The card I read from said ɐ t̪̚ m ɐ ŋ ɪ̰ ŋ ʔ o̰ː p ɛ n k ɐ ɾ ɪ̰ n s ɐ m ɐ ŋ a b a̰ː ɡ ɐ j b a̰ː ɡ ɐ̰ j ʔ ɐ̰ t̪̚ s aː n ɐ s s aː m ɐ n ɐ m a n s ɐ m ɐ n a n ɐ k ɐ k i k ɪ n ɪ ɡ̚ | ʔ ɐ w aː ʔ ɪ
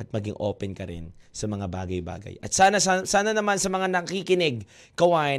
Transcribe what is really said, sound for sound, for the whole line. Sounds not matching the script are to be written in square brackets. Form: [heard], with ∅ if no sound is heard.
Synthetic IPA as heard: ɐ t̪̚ m ɐ [ɡ] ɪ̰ ŋ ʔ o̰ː p ɛ n k ɐ ɾ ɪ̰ n s ɐ m ɐ ŋ a b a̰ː ɡ ɐ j b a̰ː ɡ ɐ̰ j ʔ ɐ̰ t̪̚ s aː n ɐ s s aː [n] ɐ n ɐ m a n s ɐ m ɐ [ŋ] a n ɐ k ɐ k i k ɪ n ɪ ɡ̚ | [k] ɐ w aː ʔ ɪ